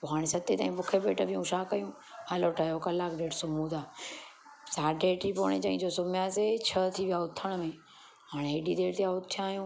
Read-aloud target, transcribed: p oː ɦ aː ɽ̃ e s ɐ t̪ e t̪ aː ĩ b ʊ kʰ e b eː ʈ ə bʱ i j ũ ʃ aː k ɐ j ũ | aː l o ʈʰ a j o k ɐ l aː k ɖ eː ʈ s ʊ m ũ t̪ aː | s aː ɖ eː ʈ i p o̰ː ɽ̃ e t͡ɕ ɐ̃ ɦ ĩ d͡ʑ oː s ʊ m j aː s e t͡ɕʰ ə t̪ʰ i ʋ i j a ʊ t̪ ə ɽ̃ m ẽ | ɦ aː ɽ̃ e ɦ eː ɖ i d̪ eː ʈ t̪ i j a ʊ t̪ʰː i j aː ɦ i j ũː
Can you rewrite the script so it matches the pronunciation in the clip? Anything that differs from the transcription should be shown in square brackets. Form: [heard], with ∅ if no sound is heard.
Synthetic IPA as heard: p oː ɦ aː ɽ̃ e s ɐ t̪ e t̪ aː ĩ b ʊ kʰ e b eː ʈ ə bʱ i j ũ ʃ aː k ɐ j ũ | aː l o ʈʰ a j o k ɐ l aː k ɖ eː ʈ s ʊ m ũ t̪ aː | s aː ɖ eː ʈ i p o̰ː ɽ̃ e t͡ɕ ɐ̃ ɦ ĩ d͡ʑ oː s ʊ m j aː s e t͡ɕʰ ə t̪ʰ i ʋ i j a ʊ [t̪ʰ] ə ɽ̃ m ẽ | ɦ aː ɽ̃ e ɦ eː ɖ i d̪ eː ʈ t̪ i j a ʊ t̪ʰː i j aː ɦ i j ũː